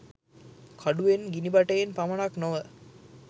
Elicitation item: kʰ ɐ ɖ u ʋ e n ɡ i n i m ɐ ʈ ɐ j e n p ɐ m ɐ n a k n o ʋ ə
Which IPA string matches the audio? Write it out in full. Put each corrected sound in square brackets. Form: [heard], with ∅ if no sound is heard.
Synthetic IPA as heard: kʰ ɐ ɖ u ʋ e n ɡ i n i [b] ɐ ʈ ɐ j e n p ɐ m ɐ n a k n o ʋ ə